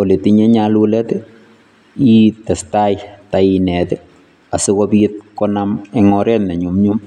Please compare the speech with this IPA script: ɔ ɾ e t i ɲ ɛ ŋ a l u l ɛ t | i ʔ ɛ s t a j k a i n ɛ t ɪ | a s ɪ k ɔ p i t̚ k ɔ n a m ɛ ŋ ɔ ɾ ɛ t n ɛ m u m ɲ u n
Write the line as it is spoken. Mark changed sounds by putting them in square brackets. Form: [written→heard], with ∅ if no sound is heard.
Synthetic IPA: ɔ [ɾ→l] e t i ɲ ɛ [ŋ→ɲ] a l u l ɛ t | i [ʔ→t] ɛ s t a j [k→t] a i n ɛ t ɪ | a s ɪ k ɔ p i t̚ k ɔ n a m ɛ ŋ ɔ ɾ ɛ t n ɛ [m→ɲ] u m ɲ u [n→m]